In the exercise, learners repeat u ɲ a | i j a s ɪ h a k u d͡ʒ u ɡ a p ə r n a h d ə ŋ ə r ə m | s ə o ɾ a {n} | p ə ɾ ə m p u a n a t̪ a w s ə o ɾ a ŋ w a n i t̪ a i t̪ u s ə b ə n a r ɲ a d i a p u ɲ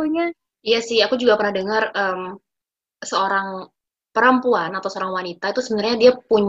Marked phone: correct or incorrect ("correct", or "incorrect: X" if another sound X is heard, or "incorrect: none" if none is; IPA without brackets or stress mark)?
incorrect: ŋ